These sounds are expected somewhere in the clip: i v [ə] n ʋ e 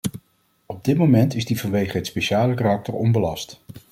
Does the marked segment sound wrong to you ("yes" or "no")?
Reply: yes